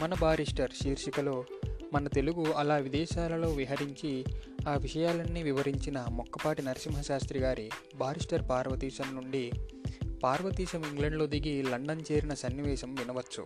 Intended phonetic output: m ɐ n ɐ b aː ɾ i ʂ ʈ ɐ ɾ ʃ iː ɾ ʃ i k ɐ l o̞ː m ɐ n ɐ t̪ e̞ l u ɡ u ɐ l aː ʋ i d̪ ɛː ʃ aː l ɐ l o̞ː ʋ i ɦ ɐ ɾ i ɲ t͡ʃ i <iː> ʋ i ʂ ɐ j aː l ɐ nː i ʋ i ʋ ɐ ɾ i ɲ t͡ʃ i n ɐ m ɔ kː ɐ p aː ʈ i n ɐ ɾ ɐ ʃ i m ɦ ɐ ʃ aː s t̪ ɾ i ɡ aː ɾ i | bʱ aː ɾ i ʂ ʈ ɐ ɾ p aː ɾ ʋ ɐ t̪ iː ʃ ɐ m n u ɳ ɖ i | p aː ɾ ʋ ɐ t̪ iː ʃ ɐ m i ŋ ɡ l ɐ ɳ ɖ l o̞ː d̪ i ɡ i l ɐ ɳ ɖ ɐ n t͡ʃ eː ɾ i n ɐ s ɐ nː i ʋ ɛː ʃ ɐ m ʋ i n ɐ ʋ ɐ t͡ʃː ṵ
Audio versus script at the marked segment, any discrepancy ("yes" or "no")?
yes